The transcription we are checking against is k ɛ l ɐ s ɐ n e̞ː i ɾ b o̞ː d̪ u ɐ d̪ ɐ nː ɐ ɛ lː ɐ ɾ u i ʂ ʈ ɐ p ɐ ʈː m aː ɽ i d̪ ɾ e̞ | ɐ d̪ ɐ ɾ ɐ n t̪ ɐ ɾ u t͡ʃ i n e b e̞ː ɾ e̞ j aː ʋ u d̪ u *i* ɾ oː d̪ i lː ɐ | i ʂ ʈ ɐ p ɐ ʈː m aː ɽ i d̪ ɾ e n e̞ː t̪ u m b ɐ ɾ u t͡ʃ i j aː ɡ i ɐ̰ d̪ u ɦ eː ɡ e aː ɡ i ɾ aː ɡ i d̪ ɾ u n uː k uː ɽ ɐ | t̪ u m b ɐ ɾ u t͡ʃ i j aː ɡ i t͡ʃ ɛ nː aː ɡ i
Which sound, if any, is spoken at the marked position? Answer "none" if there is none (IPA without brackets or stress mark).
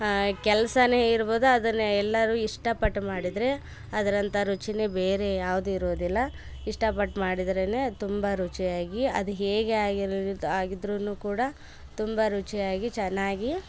i